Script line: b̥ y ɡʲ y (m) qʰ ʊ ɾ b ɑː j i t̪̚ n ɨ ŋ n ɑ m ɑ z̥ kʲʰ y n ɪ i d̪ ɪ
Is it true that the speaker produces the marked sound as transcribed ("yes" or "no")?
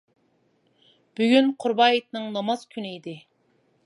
no